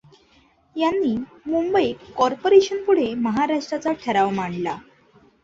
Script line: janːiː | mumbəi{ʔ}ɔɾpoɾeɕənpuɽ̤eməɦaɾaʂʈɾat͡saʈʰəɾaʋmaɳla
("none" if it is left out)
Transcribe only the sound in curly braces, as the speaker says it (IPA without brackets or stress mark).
k